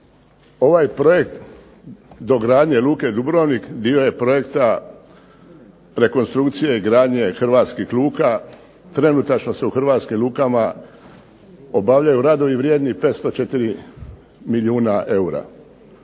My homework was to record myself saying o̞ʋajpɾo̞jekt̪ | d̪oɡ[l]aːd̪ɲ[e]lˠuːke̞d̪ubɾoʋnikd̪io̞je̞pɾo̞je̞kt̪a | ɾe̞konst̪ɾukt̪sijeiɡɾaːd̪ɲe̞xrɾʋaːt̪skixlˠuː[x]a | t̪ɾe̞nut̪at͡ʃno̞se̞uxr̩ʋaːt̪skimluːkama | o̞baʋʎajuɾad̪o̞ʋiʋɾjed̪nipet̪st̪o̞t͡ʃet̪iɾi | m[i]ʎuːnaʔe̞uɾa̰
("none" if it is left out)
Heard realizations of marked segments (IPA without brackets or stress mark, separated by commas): ɾ, e, k, i